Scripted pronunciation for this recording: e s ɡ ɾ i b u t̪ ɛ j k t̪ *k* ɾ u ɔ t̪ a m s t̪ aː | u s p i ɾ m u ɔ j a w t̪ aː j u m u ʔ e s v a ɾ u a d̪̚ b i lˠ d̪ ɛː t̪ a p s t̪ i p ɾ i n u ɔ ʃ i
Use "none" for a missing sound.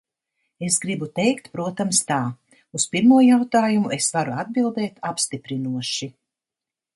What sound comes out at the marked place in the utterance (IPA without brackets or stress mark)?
p